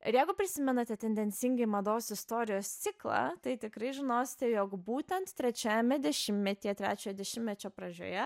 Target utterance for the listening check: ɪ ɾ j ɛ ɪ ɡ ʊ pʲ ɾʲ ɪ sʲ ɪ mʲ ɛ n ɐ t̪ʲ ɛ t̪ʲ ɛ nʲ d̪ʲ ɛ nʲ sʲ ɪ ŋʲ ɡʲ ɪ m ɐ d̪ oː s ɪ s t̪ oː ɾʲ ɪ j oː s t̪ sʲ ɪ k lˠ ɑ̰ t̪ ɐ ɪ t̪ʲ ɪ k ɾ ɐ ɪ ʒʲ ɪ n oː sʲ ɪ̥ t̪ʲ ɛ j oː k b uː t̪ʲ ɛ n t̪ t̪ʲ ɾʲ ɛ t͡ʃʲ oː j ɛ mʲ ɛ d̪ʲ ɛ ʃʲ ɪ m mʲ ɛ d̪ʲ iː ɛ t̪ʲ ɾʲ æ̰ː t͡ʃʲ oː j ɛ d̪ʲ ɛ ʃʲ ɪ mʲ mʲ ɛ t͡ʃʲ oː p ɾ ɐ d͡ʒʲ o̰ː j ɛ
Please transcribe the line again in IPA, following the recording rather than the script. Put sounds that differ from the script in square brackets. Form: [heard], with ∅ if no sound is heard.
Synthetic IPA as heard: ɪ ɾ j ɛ ɪ ɡ ʊ pʲ ɾʲ ɪ sʲ ɪ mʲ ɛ n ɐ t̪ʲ ɛ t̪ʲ ɛ nʲ d̪ʲ ɛ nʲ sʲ ɪ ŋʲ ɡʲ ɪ m ɐ d̪ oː s ɪ s t̪ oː ɾʲ ɪ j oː s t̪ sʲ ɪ k lˠ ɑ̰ t̪ ɐ ɪ t̪ʲ ɪ k ɾ ɐ ɪ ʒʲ ɪ n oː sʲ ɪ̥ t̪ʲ ɛ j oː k b uː t̪ʲ ɛ n t̪ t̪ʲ ɾʲ ɛ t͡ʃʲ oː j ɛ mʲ ɛ d̪ʲ ɛ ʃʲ ɪ m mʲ ɛ [t̪ʲ] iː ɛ t̪ʲ ɾʲ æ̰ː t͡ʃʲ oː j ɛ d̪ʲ ɛ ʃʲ ɪ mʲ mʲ ɛ t͡ʃʲ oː p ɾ ɐ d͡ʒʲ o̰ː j ɛ